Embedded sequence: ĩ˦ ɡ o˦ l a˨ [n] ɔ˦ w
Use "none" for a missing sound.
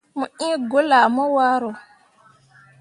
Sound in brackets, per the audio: m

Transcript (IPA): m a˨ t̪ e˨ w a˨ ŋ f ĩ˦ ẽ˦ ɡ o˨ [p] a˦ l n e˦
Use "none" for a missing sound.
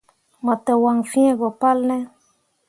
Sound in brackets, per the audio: p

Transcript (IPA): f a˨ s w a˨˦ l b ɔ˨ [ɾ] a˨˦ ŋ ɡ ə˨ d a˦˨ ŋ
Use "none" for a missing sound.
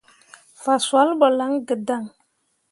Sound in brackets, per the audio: l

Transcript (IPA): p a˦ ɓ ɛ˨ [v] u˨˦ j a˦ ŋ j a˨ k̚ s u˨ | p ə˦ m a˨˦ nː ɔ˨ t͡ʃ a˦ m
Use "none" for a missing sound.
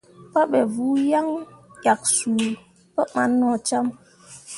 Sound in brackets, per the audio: v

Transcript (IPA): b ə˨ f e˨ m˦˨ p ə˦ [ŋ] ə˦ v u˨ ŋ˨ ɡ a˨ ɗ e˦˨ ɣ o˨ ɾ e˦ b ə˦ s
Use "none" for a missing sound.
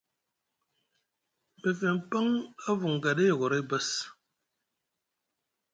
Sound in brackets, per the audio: ŋ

